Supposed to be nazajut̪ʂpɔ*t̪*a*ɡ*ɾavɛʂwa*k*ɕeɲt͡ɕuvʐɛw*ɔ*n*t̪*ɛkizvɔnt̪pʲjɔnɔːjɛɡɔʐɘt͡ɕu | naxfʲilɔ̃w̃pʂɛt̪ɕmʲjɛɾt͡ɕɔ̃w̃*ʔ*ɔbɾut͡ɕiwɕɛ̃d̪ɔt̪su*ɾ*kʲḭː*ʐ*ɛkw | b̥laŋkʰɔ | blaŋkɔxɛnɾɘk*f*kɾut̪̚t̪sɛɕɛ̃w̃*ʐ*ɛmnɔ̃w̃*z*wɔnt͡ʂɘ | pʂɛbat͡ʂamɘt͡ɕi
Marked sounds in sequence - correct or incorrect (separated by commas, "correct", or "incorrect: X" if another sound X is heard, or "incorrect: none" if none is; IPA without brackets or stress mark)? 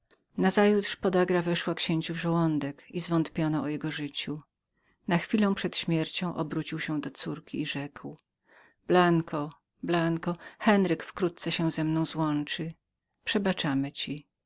incorrect: d̪, correct, correct, correct, incorrect: d̪, correct, correct, correct, correct, incorrect: z, correct